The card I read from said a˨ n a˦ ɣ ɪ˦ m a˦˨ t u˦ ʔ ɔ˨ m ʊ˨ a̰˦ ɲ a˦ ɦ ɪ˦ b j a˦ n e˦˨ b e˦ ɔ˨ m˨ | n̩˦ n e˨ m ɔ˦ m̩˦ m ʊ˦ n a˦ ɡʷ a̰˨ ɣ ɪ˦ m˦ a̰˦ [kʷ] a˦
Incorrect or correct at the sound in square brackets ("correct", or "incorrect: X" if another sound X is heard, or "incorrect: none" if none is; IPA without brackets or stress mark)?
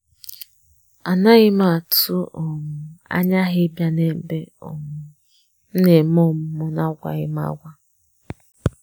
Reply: incorrect: ɡʷ